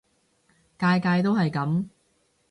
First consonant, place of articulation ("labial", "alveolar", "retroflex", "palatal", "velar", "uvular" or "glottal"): velar